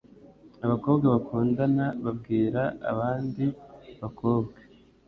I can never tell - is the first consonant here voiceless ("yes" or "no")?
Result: no